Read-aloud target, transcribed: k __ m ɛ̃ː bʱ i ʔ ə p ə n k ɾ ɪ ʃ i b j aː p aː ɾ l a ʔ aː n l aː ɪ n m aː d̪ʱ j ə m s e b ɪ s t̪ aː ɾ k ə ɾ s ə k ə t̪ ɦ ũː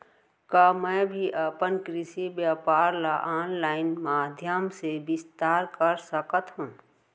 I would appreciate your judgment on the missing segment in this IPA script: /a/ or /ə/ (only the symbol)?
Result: a